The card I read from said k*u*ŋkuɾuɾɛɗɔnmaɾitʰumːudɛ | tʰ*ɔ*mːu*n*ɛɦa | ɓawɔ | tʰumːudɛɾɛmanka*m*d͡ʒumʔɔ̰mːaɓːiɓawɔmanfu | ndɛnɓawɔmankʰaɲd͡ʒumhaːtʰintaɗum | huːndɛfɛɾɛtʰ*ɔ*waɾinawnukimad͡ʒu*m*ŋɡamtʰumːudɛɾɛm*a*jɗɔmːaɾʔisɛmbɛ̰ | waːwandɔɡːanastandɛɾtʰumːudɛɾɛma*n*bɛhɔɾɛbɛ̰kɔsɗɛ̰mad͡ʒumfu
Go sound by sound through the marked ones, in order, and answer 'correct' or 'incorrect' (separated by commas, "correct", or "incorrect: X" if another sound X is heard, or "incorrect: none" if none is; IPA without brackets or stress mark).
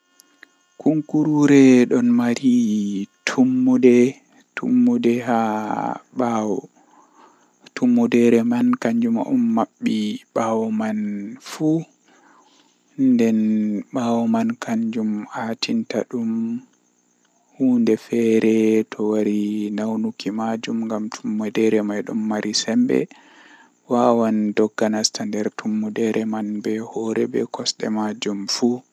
correct, incorrect: u, incorrect: d, incorrect: ɲ, correct, correct, correct, correct